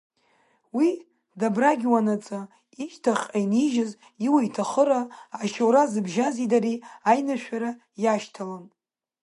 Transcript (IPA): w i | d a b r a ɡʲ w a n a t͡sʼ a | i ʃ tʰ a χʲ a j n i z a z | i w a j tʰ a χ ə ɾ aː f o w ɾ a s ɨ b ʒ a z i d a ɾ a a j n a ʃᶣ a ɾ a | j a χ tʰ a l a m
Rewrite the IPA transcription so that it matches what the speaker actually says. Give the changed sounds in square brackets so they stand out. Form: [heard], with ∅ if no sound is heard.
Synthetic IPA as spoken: w i | d a b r a ɡʲ w a n a t͡sʼ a | i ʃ tʰ a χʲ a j n i [ʒ] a z | i w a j tʰ a χ ə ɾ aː [ʃ] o w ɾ a [z] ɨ b ʒ a z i d a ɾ [i] a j n a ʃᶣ a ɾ a | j a [ʃ] tʰ a l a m